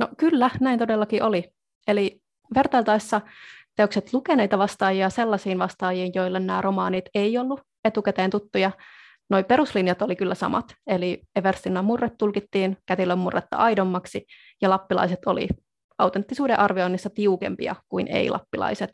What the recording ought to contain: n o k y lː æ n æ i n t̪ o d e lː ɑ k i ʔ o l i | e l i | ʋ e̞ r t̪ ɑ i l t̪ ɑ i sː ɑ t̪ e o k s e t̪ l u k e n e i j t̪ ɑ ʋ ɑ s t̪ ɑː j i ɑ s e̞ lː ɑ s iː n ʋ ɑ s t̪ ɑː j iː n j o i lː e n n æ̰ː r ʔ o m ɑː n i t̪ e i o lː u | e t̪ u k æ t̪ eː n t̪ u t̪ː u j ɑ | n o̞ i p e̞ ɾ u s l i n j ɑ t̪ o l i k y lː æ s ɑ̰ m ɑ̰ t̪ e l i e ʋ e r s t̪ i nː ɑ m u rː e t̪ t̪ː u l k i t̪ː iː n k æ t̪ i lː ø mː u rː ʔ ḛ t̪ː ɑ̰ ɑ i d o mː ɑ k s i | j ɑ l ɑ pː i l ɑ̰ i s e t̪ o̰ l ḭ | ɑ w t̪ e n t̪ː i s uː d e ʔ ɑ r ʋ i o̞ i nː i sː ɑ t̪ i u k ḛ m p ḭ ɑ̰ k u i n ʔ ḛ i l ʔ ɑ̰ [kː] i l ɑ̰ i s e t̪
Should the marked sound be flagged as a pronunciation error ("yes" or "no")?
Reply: yes